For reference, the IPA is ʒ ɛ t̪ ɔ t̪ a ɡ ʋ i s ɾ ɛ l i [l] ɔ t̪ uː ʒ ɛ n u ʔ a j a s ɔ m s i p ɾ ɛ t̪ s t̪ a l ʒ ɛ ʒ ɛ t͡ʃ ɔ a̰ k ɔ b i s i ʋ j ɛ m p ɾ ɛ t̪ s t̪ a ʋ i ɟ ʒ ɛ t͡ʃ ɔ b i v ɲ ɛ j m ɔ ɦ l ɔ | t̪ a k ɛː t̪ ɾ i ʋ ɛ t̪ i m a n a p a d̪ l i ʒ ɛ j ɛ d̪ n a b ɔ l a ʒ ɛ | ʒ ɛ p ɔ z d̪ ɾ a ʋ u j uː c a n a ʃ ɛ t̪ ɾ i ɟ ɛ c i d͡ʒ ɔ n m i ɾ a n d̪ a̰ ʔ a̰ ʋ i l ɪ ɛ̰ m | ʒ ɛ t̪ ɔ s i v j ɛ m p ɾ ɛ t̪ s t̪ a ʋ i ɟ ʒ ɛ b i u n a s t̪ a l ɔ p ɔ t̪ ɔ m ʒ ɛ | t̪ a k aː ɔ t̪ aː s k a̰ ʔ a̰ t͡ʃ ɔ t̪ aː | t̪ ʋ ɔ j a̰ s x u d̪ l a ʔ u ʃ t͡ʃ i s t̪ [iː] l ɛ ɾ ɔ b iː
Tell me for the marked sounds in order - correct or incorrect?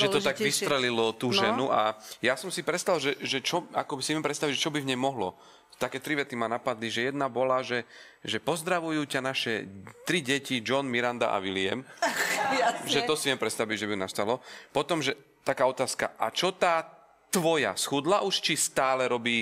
correct, incorrect: aː

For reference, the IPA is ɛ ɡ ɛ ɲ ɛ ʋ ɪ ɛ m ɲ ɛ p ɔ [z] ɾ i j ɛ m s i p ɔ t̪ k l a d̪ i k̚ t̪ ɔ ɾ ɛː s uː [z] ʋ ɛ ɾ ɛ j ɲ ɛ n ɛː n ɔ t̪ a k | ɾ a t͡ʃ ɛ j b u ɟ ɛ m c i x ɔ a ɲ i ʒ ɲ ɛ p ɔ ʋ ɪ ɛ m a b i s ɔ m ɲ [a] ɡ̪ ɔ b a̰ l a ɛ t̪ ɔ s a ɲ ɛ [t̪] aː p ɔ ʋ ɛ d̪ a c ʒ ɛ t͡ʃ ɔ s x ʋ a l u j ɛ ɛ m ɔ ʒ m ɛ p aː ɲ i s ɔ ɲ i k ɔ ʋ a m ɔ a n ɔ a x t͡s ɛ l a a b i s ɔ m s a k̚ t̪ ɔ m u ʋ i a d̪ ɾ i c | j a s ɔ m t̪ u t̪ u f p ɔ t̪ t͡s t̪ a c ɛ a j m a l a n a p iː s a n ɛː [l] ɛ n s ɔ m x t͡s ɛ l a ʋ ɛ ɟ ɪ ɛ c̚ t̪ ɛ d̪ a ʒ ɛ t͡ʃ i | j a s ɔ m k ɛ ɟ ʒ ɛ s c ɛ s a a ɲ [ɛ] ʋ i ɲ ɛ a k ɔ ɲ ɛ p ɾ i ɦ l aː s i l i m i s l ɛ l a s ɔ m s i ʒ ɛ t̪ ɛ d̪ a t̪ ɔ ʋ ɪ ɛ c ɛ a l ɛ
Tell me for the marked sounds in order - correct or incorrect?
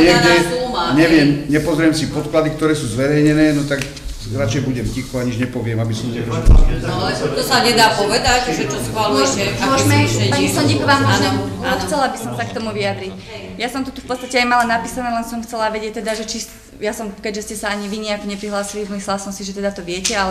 correct, correct, incorrect: ɛ, incorrect: d̪, correct, incorrect: i

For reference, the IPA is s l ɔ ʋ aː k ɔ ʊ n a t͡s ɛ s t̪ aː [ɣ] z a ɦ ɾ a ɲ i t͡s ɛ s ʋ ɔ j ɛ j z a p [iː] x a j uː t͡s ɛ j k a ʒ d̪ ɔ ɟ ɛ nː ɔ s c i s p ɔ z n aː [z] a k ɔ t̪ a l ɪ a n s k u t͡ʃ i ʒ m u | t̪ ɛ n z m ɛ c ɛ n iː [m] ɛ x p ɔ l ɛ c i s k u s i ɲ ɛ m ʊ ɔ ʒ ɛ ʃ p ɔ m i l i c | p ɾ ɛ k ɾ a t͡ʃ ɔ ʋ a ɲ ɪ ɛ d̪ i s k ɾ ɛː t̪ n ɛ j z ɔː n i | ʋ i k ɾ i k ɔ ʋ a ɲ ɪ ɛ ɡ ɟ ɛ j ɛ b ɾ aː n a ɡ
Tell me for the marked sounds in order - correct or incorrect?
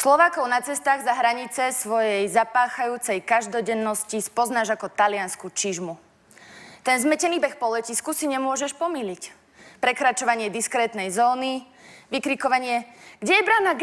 correct, incorrect: aː, incorrect: ʒ, incorrect: b

